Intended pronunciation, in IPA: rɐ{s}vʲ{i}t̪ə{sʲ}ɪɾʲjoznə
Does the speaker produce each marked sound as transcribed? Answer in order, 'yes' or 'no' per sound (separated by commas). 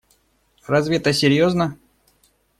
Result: no, no, yes